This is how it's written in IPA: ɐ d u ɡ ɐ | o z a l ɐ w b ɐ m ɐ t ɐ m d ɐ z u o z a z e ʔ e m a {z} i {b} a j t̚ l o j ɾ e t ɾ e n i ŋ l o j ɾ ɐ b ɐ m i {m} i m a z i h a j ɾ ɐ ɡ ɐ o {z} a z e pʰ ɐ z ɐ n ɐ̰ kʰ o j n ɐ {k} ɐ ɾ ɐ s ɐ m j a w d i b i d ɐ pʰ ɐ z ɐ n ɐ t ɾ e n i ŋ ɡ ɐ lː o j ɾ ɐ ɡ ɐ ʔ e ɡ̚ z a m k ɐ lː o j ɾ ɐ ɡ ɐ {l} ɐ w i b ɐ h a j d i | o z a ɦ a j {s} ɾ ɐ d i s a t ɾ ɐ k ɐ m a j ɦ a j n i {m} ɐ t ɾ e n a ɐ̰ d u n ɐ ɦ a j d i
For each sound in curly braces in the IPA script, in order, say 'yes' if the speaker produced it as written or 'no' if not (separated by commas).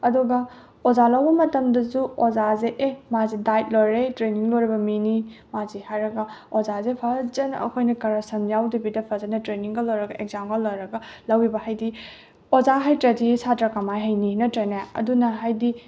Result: yes, no, no, yes, yes, yes, no, no